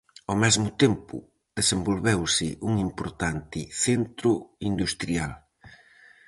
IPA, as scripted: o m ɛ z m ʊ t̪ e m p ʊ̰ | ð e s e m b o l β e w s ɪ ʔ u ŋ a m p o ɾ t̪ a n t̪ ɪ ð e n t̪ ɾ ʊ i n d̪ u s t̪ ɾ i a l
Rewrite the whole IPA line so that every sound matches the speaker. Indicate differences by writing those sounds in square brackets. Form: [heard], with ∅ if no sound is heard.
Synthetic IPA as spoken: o m ɛ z m ʊ t̪ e m p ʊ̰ | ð e s e m b o l β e w s ɪ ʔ u ŋ [i] m p o ɾ t̪ a n t̪ ɪ [θ] e n t̪ ɾ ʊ i n d̪ u s t̪ ɾ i a l